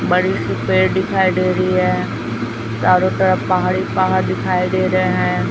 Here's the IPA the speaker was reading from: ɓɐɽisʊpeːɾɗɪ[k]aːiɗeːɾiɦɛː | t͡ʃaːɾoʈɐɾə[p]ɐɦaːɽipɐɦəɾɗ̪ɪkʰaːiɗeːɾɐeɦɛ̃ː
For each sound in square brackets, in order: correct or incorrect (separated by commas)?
incorrect, correct